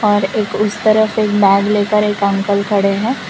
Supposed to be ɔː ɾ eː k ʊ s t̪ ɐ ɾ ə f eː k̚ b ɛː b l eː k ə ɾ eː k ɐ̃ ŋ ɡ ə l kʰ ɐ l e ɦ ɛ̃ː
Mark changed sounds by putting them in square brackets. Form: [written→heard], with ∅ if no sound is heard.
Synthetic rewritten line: ɔː ɾ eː k ʊ s t̪ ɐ ɾ ə f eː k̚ b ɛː [b→ɡ] l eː k ə ɾ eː k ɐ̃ ŋ [ɡ→k] ə l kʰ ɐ [l→ɽ] e ɦ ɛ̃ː